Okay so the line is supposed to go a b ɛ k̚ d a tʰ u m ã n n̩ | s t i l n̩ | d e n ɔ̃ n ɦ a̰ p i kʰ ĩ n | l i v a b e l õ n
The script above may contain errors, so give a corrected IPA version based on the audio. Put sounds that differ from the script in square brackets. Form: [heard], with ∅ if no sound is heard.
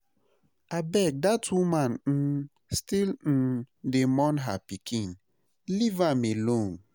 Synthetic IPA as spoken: a b ɛ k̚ d a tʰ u m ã n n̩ | s t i l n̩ | d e [m] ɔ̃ n ɦ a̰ p i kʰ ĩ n | l i v a [m] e l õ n